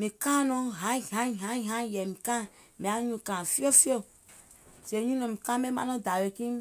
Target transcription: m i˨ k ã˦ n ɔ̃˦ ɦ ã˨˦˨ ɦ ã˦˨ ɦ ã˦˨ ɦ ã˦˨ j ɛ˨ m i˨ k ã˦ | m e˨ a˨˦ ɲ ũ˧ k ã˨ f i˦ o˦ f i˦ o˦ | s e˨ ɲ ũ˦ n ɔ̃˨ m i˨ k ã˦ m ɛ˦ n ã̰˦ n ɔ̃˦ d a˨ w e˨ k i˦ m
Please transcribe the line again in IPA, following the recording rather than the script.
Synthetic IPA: m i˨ k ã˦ n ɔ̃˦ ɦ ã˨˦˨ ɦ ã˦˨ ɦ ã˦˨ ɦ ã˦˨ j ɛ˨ m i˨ k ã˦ | m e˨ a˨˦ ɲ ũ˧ k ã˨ f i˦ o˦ f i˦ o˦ | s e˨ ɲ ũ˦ n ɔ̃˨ m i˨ k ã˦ m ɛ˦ m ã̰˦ n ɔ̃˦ d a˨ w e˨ k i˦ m